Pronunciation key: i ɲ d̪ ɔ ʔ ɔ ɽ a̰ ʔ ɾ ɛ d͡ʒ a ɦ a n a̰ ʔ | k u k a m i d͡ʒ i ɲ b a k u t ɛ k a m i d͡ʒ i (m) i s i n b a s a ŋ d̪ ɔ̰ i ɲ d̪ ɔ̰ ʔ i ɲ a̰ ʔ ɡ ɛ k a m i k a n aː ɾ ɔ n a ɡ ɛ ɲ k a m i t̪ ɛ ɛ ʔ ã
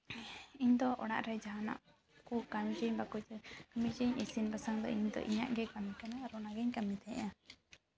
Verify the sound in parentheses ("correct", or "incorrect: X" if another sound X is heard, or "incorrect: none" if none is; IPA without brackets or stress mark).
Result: incorrect: ɲ